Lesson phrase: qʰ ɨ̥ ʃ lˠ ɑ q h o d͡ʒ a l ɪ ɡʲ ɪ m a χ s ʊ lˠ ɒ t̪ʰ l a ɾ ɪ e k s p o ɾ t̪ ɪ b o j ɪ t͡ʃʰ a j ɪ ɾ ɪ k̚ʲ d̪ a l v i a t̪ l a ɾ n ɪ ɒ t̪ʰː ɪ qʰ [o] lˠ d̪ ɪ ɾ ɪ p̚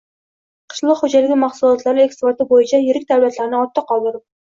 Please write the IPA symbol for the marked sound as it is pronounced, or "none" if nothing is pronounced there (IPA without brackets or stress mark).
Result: ɒ